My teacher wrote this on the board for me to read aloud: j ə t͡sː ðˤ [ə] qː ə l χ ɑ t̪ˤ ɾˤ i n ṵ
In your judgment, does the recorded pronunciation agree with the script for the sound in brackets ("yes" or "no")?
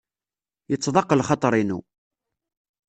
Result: no